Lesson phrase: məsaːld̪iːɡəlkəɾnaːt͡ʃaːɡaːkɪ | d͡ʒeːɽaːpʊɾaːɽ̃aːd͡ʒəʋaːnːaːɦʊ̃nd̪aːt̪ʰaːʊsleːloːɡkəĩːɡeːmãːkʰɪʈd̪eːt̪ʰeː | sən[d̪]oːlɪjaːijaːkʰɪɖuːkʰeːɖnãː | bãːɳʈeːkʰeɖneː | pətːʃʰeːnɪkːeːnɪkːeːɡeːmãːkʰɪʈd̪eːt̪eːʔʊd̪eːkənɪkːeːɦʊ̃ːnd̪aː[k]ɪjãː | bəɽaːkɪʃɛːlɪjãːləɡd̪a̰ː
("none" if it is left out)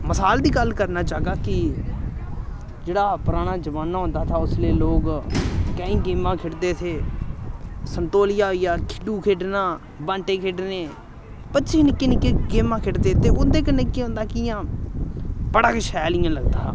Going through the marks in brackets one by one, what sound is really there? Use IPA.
t̪, k

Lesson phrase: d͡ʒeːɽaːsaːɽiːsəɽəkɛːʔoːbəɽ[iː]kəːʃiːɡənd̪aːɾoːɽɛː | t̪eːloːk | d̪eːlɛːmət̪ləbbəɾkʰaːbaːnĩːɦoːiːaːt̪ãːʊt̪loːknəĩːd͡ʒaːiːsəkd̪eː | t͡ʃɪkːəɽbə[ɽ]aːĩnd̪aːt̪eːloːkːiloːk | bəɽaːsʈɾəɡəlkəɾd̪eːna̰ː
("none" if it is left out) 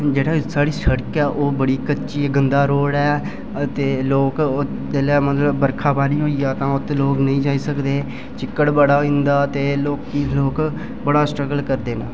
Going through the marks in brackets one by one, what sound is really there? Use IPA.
iː, ɽ

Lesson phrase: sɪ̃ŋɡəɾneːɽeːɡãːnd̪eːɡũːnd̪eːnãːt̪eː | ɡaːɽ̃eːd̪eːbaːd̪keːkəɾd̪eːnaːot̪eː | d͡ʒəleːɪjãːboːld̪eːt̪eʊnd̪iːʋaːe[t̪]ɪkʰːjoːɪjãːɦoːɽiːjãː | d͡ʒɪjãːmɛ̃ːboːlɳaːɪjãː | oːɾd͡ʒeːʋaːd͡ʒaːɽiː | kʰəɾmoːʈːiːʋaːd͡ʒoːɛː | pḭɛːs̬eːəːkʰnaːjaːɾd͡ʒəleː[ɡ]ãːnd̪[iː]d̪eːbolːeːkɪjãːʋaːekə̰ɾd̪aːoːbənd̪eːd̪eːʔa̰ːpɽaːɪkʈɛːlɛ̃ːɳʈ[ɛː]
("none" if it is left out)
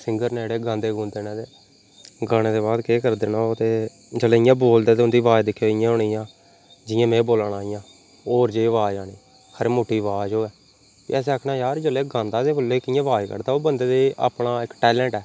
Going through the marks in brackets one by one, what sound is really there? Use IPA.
d̪, ɡ, aː, ɛː

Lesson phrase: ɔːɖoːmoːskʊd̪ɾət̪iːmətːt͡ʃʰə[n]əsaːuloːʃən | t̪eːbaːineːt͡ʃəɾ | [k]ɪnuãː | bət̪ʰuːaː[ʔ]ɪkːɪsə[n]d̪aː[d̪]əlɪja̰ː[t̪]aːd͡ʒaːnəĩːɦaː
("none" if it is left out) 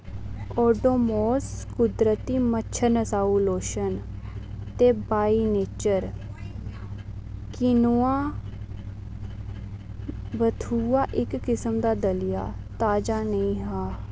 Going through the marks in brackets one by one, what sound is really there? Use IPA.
n, k, ʔ, m, d̪, t̪

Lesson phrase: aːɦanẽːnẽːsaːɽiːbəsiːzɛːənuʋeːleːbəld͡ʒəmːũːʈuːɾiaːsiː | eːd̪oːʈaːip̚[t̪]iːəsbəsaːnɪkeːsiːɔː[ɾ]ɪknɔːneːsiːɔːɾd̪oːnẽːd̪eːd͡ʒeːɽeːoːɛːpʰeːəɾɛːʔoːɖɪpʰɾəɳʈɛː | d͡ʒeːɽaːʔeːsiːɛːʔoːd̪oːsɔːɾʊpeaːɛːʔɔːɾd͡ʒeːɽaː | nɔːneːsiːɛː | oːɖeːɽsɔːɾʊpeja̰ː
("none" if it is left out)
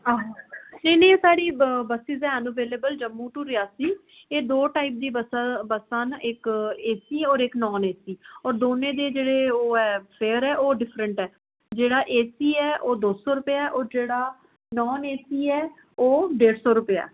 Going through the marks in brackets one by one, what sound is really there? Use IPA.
d̪, ɾ

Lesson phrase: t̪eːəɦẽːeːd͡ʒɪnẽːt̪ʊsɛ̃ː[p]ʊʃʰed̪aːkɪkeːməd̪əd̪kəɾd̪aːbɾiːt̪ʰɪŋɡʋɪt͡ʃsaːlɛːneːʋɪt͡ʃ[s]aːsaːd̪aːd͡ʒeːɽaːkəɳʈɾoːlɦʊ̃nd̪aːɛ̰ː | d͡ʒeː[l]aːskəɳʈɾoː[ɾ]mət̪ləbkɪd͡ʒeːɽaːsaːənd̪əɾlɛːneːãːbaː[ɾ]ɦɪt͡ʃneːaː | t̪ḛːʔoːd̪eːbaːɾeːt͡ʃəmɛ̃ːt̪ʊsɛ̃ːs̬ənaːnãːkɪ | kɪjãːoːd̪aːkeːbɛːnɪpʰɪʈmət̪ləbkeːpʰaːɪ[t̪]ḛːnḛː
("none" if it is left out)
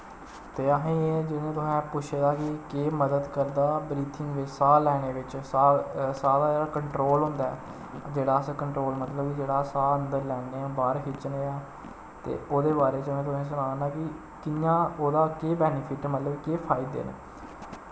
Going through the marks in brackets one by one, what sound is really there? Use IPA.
p, s, ɽ, l, ɾ, d̪

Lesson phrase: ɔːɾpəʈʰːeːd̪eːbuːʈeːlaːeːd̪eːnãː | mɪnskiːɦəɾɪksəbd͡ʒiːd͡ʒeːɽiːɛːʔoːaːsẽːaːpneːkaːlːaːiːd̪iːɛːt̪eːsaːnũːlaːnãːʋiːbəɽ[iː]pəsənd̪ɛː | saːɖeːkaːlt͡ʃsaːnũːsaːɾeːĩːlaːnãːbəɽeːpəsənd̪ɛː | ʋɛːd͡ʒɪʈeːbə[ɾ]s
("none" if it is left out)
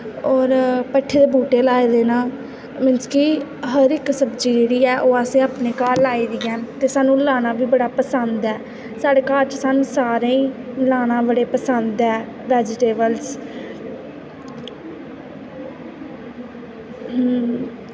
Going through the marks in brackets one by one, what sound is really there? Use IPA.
aː, l

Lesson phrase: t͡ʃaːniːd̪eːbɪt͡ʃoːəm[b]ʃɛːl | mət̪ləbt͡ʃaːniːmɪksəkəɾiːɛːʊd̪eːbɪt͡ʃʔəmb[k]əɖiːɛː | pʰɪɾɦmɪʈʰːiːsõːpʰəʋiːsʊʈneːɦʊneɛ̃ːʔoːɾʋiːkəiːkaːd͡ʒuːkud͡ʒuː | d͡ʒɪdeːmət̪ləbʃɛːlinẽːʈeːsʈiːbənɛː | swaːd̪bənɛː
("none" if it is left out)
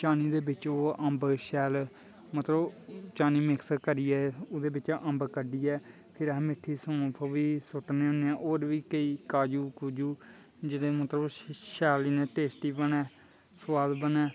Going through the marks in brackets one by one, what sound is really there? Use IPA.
b, k

